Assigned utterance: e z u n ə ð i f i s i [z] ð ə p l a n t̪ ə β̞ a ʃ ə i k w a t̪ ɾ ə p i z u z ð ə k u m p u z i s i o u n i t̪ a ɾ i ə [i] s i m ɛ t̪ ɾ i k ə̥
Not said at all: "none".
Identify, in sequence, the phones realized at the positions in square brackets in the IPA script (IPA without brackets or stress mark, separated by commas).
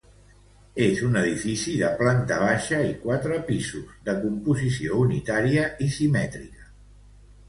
none, i